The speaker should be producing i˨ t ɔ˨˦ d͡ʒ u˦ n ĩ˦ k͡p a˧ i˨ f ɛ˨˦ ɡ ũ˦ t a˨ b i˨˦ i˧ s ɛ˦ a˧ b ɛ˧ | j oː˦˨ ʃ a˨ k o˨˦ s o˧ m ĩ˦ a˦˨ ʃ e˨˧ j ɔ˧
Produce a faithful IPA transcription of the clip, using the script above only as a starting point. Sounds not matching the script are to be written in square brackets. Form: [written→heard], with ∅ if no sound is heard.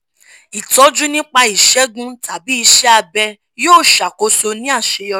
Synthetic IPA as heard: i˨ t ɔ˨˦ d͡ʒ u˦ n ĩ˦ k͡p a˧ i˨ [f→ʃ] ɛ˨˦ ɡ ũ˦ t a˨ b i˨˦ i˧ [s→ʃ] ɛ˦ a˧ b ɛ˧ | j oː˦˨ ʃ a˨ k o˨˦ s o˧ [m→n] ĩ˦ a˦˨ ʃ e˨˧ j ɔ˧